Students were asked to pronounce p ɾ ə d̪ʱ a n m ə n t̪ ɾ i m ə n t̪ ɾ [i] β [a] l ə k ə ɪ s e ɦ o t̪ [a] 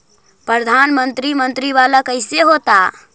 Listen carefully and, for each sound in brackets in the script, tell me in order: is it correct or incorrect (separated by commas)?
correct, correct, correct